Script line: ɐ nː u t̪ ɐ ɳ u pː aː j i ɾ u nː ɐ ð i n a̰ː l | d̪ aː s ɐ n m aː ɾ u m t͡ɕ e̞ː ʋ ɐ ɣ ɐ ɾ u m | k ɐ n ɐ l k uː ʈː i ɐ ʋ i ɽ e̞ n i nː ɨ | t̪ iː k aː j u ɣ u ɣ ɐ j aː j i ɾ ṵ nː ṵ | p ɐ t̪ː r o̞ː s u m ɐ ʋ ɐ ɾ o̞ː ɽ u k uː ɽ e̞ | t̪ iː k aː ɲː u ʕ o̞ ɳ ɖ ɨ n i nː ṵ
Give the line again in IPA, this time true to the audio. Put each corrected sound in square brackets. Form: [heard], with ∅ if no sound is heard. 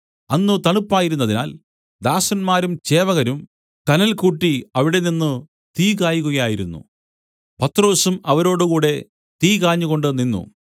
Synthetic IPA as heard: ɐ nː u t̪ ɐ ɳ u pː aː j i ɾ u nː ɐ ð i n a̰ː l | d̪ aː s ɐ n m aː ɾ u m t͡ɕ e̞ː ʋ ɐ ɣ ɐ ɾ u m | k ɐ n ɐ l k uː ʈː i ɐ ʋ i ɽ e̞ n i nː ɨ | t̪ iː k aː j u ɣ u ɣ ɐ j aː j i ɾ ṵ nː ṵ | p ɐ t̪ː r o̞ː s u m ɐ ʋ ɐ ɾ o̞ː ɽ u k uː ɽ e̞ | t̪ iː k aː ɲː u [ɣ] o̞ ɳ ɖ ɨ n i nː ṵ